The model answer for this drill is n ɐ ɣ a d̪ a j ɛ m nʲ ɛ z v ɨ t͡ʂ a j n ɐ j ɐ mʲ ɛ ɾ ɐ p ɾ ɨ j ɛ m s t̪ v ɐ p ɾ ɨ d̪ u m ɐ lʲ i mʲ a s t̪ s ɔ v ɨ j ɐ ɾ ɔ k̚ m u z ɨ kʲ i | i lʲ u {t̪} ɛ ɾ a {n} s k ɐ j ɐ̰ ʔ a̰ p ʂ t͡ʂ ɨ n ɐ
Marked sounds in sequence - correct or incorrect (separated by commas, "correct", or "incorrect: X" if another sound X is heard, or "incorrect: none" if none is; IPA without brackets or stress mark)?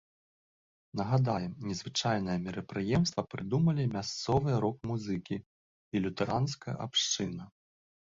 correct, correct